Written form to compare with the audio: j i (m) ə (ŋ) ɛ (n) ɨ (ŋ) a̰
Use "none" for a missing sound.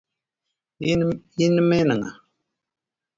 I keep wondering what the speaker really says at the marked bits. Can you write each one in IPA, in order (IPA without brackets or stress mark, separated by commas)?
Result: n, m, n, ŋ